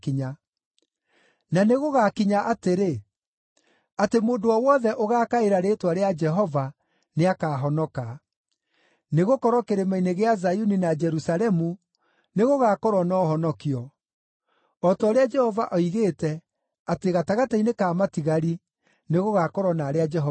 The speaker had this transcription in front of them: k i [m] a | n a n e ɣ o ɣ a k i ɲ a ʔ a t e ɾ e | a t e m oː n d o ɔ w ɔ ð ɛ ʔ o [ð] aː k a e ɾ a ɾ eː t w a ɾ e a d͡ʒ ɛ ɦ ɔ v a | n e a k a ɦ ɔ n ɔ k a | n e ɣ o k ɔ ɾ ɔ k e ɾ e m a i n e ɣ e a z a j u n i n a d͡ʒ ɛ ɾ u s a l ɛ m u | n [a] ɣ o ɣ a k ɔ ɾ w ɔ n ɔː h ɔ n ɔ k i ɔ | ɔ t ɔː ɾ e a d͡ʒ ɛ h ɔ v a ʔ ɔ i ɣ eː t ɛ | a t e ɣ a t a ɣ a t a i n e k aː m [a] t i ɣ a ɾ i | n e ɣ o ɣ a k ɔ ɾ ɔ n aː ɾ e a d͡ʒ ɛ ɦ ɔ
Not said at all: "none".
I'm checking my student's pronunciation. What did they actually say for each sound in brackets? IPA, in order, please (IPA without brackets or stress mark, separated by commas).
ɲ, ɣ, e, a